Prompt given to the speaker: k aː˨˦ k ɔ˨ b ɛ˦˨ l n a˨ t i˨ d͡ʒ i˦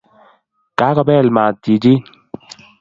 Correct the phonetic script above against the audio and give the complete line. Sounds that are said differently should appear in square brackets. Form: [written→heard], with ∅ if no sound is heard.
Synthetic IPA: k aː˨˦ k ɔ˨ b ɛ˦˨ l [n→m] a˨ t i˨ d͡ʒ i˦

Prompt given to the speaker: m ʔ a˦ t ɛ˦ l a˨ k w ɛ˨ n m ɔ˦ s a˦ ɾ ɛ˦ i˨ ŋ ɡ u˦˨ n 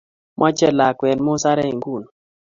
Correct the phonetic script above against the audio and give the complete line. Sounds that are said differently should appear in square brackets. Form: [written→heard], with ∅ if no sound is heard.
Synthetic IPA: m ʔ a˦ [t→t͡ʃ] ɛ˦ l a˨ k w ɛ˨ n m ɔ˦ s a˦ ɾ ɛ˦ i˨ ŋ ɡ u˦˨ n

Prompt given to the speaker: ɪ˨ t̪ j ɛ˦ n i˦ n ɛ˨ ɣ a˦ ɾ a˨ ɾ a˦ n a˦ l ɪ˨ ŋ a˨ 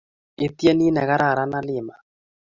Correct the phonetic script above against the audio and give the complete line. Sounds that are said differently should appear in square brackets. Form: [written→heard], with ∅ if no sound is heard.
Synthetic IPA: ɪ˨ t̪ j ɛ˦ n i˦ n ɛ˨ ɣ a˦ ɾ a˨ ɾ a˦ n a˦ l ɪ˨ [ŋ→m] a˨

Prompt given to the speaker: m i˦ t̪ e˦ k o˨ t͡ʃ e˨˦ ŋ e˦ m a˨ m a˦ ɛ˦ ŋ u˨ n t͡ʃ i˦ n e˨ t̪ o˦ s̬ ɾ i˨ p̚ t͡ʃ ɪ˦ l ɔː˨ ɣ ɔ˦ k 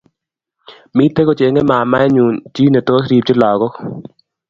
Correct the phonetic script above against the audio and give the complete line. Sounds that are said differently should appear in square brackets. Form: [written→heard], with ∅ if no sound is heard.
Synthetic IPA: m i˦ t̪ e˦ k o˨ t͡ʃ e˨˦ ŋ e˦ m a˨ m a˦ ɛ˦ [ŋ→ɲ] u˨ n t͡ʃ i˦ n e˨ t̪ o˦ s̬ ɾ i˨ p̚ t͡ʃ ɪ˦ l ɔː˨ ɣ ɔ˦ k

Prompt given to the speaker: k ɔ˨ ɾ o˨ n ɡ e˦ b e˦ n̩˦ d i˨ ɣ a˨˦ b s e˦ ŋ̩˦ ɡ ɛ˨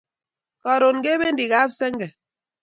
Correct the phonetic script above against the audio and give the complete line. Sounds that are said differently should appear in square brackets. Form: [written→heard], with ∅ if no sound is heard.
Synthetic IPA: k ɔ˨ ɾ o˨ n ɡ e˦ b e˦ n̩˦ d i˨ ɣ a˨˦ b s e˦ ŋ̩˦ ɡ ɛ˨

